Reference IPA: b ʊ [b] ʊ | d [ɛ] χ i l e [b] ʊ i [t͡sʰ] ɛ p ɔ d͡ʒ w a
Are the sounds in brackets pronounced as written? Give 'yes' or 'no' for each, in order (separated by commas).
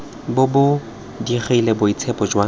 yes, no, yes, yes